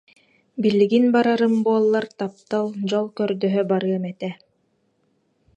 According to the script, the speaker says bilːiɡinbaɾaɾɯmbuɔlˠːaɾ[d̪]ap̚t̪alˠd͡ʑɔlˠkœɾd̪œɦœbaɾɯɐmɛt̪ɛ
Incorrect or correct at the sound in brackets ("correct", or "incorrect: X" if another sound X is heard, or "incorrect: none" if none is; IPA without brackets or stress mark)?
incorrect: t̪